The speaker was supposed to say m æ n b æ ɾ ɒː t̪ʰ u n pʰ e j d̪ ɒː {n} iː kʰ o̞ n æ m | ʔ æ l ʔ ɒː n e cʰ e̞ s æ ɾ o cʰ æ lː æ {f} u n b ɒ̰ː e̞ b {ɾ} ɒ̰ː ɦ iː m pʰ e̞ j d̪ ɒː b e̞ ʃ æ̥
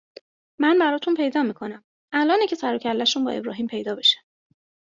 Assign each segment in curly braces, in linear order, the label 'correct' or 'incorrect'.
incorrect, incorrect, correct

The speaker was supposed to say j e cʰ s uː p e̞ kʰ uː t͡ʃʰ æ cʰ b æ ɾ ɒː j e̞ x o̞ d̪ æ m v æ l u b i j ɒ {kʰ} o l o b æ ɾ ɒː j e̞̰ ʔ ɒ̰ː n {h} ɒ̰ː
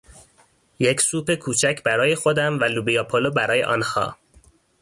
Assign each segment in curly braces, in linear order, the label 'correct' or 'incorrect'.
incorrect, correct

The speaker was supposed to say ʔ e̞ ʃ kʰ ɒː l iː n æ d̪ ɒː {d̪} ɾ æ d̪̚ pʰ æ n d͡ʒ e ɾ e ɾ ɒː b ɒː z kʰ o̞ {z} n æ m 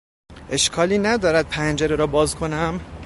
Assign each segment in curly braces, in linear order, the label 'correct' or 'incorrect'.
incorrect, incorrect

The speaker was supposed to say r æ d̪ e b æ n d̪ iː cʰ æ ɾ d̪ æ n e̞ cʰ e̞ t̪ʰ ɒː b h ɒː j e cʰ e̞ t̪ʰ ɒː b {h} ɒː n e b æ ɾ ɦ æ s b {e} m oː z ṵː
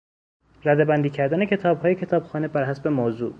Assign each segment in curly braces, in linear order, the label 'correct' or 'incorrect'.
incorrect, correct

